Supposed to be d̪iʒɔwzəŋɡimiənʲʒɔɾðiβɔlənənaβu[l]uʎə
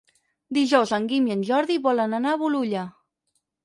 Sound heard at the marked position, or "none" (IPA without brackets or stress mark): l